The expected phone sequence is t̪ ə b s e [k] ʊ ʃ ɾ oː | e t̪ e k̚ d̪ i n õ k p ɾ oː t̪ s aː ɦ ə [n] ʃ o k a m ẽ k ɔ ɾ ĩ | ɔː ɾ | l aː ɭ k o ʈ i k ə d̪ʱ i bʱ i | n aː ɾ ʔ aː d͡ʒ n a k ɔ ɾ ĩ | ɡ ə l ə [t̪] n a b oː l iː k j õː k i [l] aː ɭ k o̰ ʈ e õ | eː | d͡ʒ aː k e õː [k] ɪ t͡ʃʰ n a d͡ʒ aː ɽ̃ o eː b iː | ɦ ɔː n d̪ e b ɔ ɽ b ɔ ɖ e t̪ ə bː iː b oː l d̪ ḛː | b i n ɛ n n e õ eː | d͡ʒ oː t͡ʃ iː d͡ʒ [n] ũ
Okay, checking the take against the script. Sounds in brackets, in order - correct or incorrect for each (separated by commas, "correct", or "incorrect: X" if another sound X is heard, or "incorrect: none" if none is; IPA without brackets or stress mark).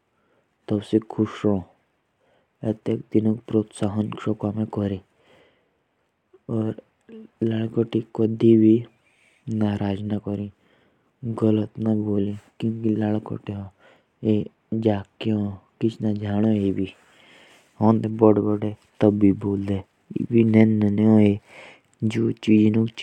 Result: incorrect: kʰ, correct, correct, correct, correct, correct